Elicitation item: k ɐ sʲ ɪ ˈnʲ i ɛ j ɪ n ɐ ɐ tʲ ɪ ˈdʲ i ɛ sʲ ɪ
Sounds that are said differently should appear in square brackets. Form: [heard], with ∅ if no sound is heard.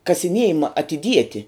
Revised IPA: k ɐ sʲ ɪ ˈnʲ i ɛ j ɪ [m] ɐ ɐ tʲ ɪ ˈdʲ i ɛ [tʲ] ɪ